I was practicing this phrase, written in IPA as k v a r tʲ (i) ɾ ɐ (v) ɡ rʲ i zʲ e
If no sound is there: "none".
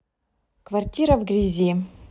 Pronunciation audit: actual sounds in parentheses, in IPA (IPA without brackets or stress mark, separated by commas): i, v